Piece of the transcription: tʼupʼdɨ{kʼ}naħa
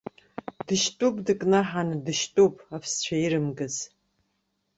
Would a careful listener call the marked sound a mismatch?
no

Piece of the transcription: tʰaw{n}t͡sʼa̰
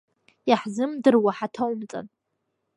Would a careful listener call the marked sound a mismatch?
yes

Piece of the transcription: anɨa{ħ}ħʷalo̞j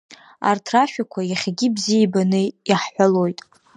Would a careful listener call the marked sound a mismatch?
no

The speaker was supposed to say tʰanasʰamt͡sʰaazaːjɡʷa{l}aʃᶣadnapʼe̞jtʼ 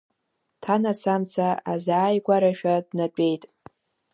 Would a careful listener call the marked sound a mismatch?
yes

